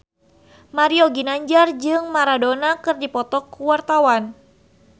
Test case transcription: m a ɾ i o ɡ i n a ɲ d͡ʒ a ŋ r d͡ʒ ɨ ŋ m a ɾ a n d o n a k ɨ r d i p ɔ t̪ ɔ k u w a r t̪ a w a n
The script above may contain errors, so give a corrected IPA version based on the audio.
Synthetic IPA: m a ɾ i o ɡ i n a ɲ d͡ʒ a r d͡ʒ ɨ ŋ m a ɾ a d o n a k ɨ r d i p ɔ t̪ ɔ k u w a r t̪ a w a n